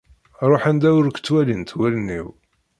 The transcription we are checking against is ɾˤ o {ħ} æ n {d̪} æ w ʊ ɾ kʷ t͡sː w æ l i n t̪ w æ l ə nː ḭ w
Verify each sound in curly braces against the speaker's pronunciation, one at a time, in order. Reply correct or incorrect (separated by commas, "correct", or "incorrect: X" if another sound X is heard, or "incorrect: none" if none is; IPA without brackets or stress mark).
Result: correct, correct